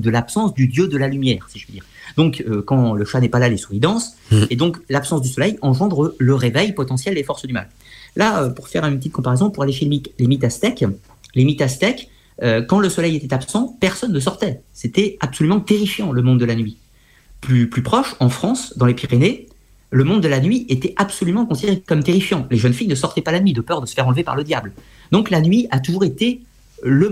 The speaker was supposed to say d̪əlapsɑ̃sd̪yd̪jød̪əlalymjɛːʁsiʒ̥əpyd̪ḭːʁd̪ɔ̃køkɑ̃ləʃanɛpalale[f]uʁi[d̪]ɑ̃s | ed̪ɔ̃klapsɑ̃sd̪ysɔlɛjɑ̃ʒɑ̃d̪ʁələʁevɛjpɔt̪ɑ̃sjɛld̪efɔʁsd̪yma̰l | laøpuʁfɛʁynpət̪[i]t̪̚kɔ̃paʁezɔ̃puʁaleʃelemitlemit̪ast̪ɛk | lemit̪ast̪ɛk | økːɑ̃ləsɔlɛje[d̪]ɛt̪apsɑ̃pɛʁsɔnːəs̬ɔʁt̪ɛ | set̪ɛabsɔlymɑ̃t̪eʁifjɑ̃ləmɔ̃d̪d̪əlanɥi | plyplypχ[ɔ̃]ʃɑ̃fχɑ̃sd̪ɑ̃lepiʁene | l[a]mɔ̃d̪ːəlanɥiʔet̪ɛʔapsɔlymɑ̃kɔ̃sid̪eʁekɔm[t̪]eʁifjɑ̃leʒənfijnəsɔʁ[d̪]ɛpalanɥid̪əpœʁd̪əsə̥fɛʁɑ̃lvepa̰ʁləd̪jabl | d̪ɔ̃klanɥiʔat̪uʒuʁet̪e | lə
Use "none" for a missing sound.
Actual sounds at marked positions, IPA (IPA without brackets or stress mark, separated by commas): s, d̪, i, t̪, ɔ, ə, t̪, t̪